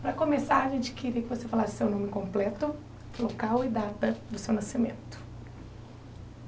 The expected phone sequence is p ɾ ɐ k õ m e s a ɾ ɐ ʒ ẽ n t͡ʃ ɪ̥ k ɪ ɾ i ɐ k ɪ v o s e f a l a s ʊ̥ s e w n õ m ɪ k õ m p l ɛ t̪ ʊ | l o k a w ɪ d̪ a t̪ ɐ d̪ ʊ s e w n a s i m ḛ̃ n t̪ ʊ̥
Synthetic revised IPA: p ɾ ɐ k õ m e s a ɾ ɐ ʒ ẽ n t͡ʃ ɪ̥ k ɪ ɾ i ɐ k ɪ v o s e f a l a s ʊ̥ s e w n õ m ɪ k õ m p l ɛ t̪ ʊ | l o k a w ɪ d̪ a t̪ ɐ d̪ ʊ s e w n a s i m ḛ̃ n t̪ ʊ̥